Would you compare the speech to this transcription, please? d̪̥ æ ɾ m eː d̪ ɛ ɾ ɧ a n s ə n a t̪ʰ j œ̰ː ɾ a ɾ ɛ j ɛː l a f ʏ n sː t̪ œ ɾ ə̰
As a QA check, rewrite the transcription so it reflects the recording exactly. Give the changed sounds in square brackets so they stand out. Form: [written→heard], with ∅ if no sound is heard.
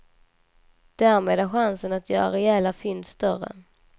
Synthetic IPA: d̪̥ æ ɾ m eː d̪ [ɛ→æ] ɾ ɧ a n s ə n a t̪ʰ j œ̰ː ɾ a ɾ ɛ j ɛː l a f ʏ n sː t̪ œ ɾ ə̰